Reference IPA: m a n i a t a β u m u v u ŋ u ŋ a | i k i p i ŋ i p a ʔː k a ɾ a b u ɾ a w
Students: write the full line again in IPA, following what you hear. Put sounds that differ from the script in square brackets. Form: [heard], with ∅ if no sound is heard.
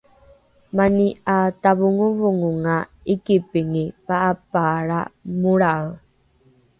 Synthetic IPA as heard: m a n i a t a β u [ŋ] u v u ŋ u ŋ a | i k i p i ŋ i p a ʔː [p] a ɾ a [m] u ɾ a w